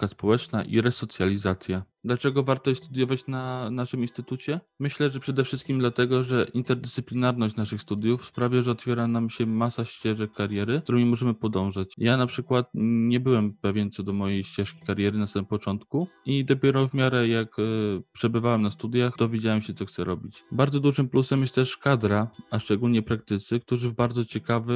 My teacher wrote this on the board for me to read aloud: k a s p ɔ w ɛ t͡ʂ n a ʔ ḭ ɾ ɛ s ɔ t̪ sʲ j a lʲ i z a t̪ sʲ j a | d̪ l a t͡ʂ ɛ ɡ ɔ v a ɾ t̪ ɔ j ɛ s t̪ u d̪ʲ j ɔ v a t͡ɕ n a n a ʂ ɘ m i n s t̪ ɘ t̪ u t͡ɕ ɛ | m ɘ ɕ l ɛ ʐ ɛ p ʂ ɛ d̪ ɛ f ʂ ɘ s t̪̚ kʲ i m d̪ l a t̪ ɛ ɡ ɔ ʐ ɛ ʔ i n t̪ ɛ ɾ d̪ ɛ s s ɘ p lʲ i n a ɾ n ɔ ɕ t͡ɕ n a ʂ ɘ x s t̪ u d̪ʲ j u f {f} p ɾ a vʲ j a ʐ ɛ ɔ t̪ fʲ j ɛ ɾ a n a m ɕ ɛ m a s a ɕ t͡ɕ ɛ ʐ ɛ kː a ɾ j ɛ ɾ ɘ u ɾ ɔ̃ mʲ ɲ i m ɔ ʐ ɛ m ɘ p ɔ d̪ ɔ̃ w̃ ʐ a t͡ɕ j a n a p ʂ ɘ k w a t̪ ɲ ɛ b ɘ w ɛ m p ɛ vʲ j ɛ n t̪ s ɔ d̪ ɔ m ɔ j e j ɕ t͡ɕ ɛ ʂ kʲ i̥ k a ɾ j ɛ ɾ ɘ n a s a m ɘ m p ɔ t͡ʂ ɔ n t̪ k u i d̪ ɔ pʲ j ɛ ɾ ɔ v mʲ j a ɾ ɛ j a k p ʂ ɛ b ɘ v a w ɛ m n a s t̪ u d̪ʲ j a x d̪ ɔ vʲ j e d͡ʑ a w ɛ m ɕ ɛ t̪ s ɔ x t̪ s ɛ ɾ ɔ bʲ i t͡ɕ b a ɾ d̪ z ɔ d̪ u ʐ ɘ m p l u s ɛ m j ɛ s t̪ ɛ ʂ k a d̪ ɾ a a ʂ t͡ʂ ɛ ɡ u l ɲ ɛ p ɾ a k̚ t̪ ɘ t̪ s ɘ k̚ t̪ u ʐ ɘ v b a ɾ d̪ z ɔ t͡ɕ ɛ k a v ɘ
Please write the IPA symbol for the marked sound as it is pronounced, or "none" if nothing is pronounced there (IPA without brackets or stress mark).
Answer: s